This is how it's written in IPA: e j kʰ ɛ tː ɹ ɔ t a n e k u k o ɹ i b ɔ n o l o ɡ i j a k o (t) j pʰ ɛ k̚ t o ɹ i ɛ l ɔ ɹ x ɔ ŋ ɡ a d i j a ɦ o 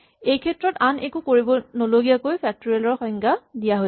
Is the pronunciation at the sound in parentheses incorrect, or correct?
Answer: incorrect: none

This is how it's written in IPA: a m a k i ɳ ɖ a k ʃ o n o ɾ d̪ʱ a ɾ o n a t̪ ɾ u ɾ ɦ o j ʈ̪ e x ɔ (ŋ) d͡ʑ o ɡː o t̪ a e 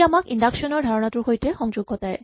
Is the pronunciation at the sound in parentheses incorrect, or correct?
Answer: correct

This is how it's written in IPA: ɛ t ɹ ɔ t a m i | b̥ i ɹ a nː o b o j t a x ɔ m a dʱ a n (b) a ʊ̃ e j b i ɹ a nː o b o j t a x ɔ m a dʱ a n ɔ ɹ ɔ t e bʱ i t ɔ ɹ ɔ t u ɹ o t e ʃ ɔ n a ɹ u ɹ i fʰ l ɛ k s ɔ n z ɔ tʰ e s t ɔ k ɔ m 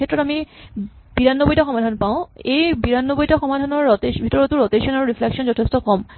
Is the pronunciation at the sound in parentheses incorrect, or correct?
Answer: incorrect: p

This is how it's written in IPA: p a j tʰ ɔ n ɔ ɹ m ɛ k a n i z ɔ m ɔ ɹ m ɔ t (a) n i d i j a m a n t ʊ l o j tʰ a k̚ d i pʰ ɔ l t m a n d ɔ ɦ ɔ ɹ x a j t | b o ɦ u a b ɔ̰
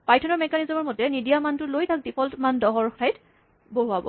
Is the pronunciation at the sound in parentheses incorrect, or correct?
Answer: incorrect: ɛ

